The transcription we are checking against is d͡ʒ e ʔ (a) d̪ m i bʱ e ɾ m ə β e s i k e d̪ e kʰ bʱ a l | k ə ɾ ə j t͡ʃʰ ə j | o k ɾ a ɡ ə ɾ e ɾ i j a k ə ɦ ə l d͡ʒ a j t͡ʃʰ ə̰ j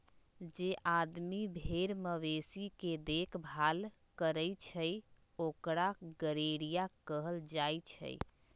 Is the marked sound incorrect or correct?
correct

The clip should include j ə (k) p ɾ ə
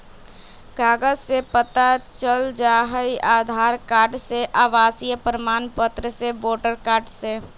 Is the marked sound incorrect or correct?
incorrect: none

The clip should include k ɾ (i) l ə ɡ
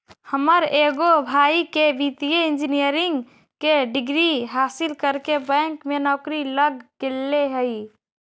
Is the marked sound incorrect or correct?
correct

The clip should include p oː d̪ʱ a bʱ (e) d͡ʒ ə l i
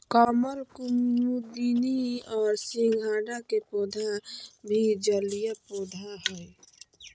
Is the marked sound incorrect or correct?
incorrect: i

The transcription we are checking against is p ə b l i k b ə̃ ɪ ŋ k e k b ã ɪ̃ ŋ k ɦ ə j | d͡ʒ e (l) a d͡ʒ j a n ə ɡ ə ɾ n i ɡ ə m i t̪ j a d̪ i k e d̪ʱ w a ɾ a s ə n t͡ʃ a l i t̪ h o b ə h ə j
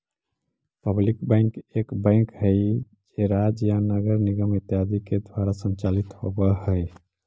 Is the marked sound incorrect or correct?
incorrect: ɾ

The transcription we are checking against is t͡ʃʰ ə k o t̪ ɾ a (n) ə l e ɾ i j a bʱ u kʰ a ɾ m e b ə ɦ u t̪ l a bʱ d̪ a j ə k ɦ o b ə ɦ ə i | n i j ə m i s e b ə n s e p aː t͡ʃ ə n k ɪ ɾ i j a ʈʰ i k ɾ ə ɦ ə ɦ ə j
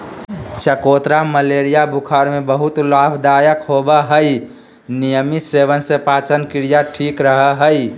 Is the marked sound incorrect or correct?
incorrect: m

